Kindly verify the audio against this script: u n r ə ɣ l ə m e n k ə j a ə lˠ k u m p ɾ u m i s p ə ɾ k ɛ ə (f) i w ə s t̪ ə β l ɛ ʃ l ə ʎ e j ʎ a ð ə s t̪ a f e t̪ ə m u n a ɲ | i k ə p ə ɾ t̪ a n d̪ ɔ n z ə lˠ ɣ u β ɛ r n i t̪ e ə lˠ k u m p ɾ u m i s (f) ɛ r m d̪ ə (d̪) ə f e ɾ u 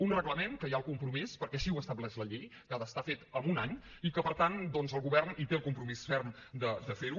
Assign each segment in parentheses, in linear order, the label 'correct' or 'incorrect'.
incorrect, correct, correct

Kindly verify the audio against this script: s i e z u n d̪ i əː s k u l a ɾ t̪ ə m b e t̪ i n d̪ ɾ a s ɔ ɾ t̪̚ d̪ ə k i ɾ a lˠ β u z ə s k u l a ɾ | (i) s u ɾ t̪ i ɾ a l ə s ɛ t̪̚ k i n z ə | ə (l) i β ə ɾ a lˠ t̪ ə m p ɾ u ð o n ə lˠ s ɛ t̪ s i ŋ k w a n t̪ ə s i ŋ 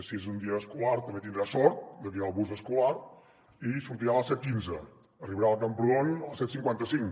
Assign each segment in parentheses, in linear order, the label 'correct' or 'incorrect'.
correct, incorrect

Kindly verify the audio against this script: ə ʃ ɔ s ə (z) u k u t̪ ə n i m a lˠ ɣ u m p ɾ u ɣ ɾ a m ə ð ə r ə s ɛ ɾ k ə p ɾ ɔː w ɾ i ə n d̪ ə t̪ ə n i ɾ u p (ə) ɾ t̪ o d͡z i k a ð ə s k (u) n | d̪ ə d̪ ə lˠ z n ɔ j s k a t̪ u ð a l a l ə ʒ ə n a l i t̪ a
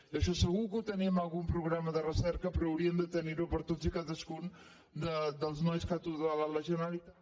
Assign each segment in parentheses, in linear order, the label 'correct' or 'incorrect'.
incorrect, correct, correct

